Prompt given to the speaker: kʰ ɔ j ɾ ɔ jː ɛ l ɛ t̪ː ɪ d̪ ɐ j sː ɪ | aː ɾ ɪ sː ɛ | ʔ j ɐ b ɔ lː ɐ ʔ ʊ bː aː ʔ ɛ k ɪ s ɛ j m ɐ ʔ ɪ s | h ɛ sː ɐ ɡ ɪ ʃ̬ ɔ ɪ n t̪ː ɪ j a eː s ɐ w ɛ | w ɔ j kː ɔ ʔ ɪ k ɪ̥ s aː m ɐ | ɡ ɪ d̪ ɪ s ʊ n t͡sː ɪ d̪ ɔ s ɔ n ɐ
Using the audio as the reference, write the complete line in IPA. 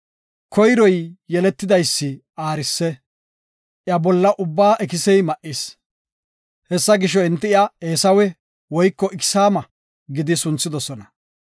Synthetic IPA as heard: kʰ ɔ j ɾ ɔ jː ɛ l ɛ t̪ː ɪ d̪ ɐ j sː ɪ | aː ɾ ɪ sː ɛ | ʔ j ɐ b ɔ lː ɐ ʔ ʊ bː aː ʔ ɛ k ɪ s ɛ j m ɐ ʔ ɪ s | h ɛ sː ɐ ɡ ɪ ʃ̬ ɔ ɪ n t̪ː ɪ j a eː s ɐ w ɛ | w ɔ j kː ɔ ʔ ɪ k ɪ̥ s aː m ɐ | ɡ ɪ d̪ ɪ s ʊ n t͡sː ɪ d̪ ɔ s ɔ n ɐ